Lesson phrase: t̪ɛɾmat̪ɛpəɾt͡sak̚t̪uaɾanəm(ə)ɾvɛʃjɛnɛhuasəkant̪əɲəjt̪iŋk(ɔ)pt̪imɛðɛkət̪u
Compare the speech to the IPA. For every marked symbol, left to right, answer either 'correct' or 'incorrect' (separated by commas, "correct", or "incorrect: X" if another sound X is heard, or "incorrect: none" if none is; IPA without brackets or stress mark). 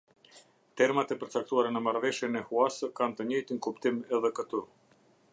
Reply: incorrect: a, incorrect: u